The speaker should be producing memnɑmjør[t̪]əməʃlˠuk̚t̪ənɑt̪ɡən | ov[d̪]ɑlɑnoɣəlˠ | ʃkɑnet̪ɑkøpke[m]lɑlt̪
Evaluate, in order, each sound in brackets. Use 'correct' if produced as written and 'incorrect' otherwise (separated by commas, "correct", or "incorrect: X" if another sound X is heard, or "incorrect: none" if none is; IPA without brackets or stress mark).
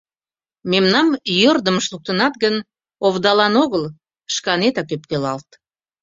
incorrect: d̪, correct, incorrect: none